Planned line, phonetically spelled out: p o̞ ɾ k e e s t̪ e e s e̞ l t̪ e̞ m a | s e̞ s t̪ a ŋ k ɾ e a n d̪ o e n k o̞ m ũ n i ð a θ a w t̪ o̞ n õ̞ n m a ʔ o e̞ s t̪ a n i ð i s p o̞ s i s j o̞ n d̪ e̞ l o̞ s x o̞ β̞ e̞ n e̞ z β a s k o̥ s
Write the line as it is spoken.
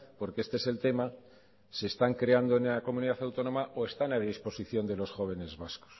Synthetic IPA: p o̞ ɾ k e e s t̪ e e s e̞ l t̪ e̞ m a | s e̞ s t̪ a ŋ k ɾ e a n d̪ o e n k o̞ m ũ n i ð a θ a w t̪ o̞ n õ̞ m a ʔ o e̞ s t̪ a n a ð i s p o̞ s i θ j o̞ n d̪ e̞ l o̞ s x o̞ β̞ e̞ n e̞ z β a s k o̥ s